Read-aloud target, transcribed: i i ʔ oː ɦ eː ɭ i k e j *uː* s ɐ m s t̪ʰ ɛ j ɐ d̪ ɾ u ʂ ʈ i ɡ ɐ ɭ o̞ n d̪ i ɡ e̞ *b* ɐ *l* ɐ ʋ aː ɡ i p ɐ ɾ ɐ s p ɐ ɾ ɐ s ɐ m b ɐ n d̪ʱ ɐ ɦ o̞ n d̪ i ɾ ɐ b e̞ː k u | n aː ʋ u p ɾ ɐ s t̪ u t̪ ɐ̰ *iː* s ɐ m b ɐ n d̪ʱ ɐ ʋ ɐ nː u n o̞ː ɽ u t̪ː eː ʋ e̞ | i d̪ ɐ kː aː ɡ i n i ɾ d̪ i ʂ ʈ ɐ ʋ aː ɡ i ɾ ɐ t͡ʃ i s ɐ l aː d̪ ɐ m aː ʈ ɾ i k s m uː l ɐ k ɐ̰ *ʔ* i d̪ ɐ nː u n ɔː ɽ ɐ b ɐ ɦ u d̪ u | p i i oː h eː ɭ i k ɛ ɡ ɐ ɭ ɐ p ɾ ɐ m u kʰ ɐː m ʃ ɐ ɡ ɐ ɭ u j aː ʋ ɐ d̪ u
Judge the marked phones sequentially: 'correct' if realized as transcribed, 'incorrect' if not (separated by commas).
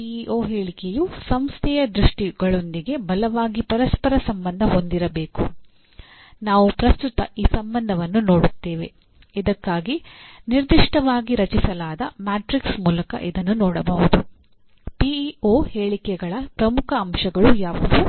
incorrect, correct, correct, correct, correct